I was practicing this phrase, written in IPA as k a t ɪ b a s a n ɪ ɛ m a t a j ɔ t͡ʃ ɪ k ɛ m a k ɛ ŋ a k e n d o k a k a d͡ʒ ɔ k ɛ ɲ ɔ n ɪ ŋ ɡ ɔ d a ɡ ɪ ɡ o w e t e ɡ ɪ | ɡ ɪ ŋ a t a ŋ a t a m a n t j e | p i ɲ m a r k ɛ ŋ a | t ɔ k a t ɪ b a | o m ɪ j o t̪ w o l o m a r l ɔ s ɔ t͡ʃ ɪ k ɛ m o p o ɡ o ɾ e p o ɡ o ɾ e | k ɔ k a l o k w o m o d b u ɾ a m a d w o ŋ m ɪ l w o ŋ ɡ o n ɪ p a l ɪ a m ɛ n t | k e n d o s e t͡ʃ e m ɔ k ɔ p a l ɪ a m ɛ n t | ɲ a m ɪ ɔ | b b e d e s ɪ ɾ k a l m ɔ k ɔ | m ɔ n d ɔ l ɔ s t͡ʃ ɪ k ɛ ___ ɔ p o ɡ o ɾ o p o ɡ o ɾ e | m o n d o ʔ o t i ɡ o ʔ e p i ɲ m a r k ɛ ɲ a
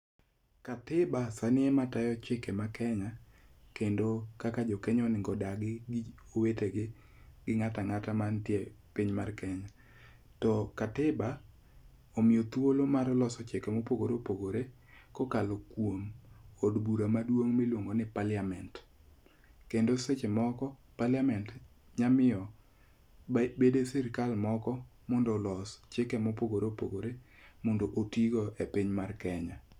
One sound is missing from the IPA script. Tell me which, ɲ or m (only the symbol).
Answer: m